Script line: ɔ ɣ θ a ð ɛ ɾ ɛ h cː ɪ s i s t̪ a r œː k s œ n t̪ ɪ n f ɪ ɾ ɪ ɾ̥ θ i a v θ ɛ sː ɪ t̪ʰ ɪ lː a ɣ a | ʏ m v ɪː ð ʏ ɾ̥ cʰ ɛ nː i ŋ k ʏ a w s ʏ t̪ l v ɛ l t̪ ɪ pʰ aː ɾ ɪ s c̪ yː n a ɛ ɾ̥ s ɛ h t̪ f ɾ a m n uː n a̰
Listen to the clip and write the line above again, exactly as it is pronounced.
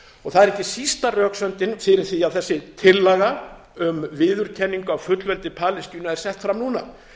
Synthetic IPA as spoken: ɔ ɣ θ a ð ɛ ɾ ɛ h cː ɪ s i s t̪ a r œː k s œ n t̪ ɪ n f ɪ ɾ ɪ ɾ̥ θ i a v θ ɛ sː ɪ t̪ʰ ɪ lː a ɣ a | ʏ m v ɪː ð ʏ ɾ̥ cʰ ɛ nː i ŋ k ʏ a w f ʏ t̪ l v ɛ l t̪ ɪ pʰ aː l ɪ s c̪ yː n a ɛ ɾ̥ s ɛ h t̪ f ɾ a m n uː n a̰